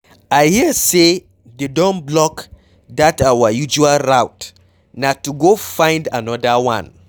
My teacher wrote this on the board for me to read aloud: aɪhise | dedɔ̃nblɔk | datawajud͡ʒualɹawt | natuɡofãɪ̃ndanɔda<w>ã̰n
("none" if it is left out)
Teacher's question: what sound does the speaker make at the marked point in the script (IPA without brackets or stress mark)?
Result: w